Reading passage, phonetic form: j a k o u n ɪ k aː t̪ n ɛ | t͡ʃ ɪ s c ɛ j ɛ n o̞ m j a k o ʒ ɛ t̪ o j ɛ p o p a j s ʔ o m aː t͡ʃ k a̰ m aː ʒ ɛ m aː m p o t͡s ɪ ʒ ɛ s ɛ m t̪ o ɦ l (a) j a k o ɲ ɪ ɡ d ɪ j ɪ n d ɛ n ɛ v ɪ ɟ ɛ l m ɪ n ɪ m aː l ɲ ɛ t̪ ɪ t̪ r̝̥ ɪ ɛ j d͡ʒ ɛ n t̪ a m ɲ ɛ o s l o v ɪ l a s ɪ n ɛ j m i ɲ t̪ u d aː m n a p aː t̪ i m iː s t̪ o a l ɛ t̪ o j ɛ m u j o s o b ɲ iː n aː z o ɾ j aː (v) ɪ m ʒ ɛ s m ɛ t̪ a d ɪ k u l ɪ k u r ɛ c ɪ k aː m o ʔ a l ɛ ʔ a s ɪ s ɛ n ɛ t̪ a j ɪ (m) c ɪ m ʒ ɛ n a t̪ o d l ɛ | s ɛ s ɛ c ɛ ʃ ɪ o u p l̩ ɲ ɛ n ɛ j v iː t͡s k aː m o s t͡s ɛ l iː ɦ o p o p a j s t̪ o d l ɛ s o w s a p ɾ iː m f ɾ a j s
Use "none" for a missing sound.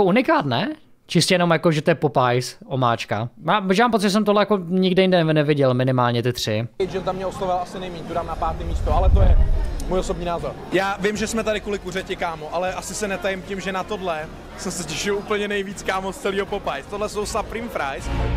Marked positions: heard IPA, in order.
ɛ, v, m

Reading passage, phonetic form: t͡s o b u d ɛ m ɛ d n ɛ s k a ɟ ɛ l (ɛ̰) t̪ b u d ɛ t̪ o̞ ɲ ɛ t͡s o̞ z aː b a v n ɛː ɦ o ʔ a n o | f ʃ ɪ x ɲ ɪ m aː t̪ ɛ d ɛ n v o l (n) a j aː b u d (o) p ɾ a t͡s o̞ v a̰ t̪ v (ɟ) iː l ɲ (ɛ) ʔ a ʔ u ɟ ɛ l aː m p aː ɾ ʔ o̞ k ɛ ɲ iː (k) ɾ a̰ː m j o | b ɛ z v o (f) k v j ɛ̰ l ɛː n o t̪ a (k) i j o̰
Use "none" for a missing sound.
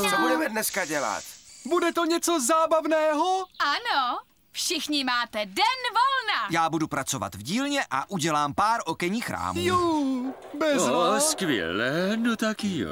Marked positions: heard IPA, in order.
a̰, n, u, ɟ, ɛ, x, s, k

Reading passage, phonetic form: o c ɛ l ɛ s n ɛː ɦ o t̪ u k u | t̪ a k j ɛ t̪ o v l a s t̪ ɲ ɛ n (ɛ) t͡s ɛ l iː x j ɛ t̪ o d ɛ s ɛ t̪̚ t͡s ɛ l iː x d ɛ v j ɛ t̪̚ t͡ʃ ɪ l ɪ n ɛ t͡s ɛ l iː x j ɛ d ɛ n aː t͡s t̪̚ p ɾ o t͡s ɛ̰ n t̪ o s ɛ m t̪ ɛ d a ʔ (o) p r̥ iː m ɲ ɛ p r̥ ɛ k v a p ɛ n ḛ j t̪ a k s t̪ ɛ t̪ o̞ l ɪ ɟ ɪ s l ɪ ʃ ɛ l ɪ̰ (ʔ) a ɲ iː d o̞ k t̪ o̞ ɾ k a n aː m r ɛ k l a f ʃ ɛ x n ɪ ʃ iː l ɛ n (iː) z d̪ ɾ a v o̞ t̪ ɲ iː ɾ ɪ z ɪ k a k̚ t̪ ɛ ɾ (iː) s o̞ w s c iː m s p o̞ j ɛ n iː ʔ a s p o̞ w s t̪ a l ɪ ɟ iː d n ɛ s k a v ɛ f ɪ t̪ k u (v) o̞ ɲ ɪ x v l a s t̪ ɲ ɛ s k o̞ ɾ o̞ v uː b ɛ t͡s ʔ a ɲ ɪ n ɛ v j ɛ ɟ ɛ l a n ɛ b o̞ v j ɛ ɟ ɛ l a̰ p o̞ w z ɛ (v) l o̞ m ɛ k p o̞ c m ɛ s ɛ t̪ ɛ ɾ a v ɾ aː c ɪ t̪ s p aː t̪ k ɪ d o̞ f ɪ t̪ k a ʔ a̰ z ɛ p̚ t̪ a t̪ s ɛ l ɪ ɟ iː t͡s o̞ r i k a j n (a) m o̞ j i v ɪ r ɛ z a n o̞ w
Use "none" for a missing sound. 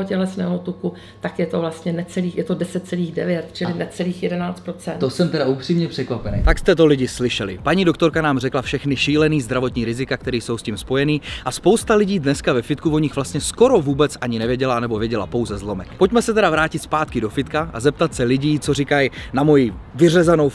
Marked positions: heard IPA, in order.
ɛ, u, p, iː, iː, v, z, a

